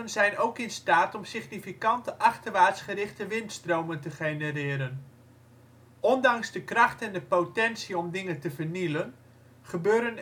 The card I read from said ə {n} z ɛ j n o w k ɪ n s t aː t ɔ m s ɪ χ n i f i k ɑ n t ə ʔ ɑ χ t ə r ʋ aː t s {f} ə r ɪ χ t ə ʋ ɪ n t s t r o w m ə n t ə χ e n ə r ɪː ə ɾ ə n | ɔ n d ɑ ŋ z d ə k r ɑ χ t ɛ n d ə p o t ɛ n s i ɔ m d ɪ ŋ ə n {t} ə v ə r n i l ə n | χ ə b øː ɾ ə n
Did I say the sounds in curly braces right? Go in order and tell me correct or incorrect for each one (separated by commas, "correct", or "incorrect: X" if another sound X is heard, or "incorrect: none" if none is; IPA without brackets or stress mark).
correct, incorrect: χ, correct